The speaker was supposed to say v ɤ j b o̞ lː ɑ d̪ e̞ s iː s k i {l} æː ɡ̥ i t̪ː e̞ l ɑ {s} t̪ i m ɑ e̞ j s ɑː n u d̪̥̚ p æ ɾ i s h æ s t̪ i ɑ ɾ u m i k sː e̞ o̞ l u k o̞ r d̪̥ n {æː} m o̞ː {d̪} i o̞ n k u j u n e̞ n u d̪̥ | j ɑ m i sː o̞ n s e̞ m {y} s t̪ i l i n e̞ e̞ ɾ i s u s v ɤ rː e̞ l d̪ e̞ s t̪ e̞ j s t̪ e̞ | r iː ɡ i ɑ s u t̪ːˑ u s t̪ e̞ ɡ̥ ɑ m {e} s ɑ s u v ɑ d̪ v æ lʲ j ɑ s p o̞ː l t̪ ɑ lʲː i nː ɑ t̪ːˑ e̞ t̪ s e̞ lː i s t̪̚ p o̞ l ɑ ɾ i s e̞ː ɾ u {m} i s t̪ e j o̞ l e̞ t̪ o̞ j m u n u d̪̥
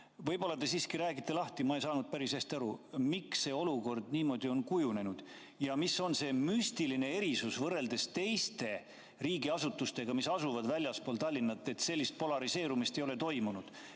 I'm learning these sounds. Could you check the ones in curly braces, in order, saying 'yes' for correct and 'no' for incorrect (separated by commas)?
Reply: no, no, no, yes, yes, no, yes